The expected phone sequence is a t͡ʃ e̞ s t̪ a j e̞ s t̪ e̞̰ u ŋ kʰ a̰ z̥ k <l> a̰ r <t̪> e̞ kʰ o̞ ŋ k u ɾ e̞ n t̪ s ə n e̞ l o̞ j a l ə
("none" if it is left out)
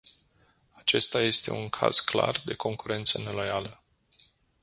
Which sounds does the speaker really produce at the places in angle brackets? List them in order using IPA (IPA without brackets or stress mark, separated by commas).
l, d̪